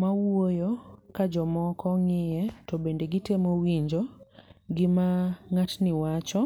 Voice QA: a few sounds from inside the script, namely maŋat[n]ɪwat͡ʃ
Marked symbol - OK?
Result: yes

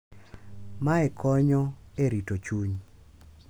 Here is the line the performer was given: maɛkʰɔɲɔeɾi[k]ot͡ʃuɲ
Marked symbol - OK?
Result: no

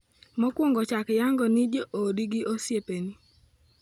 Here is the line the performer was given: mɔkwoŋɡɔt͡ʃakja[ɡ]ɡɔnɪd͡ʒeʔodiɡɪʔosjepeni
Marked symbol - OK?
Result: no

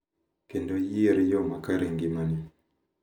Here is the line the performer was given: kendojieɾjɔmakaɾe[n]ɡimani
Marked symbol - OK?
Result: no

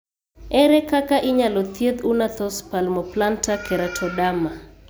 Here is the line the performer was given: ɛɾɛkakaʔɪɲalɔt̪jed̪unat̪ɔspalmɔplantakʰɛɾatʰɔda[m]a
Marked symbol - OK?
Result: yes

